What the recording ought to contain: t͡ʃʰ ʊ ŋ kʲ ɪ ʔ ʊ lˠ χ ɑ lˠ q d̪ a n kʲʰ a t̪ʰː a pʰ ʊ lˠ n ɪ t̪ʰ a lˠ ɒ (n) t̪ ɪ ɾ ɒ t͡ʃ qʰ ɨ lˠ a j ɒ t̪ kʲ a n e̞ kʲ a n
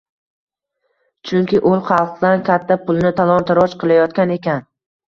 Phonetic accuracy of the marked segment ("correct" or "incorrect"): correct